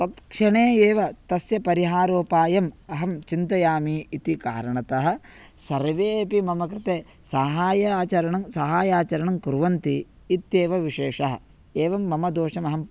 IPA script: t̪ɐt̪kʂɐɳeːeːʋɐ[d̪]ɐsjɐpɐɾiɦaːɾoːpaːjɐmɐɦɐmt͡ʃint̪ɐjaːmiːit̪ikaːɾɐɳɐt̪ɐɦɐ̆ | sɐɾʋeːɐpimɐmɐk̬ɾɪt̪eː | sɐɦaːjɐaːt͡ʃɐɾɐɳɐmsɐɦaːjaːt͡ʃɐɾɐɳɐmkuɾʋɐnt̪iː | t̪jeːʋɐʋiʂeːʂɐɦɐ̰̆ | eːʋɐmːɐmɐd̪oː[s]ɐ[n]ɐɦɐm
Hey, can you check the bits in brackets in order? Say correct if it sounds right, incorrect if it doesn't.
incorrect, incorrect, incorrect

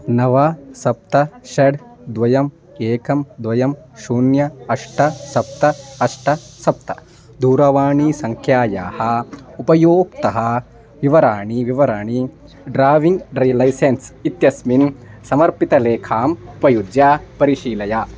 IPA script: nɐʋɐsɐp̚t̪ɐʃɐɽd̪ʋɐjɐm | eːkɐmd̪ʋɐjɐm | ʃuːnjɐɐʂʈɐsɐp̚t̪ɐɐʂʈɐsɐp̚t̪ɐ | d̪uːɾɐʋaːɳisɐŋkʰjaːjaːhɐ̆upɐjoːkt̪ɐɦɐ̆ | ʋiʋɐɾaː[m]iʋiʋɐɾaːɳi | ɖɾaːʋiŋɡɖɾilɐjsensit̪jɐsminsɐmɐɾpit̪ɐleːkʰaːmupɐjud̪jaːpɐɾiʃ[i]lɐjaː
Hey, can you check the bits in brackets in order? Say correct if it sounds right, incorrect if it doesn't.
incorrect, incorrect

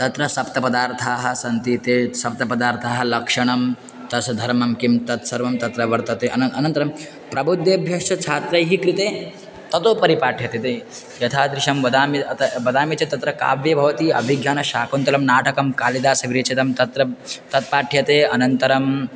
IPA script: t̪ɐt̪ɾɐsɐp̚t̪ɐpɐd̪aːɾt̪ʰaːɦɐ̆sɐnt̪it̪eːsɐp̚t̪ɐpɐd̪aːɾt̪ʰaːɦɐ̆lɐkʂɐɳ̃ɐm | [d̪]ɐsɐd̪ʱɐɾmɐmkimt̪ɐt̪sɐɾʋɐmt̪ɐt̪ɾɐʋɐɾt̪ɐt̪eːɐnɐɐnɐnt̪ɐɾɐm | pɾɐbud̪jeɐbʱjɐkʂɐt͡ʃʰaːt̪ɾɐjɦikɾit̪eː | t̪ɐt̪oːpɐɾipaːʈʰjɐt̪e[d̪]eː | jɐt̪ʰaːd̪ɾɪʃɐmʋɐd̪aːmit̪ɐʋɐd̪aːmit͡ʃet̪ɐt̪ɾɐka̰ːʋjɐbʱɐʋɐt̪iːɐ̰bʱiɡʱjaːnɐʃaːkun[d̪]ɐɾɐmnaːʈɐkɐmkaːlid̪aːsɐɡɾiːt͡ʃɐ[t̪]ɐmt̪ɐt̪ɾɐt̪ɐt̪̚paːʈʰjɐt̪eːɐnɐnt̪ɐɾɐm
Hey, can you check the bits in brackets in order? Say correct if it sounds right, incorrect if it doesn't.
incorrect, incorrect, incorrect, correct

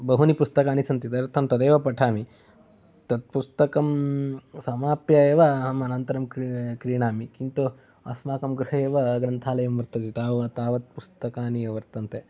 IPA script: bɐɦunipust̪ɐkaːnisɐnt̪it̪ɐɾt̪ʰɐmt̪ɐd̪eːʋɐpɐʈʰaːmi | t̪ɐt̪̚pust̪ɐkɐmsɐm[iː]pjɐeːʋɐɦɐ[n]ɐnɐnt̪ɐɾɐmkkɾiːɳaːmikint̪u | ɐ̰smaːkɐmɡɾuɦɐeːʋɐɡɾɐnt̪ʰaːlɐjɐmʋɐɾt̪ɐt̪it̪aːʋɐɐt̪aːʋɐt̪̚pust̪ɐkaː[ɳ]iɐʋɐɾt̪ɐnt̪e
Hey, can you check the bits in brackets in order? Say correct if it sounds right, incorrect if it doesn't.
incorrect, incorrect, incorrect

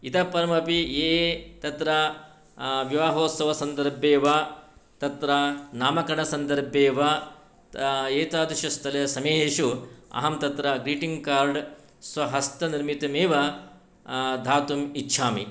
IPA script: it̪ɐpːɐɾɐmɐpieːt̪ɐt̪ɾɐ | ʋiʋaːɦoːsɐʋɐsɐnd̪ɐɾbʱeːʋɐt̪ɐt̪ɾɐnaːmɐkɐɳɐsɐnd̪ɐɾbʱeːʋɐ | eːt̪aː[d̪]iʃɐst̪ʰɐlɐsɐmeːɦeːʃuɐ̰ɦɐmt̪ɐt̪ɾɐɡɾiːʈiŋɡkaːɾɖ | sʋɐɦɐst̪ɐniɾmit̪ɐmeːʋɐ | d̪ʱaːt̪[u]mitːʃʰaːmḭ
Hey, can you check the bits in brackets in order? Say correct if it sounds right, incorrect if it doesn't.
correct, correct

